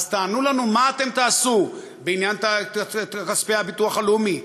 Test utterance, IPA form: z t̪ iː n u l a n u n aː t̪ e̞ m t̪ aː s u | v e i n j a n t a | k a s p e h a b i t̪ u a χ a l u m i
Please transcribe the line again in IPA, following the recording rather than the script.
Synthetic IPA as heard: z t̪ aː n u l a n u m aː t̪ e̞ m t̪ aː s u | b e i n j a n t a | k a s p e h a b i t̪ u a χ a l u m i